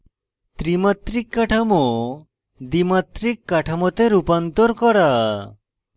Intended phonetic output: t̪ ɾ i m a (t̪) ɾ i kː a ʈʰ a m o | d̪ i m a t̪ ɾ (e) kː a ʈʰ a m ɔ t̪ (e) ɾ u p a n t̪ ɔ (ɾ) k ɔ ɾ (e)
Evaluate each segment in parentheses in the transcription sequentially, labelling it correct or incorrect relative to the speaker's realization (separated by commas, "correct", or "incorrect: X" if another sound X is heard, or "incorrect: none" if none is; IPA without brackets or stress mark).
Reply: correct, incorrect: i, correct, correct, incorrect: a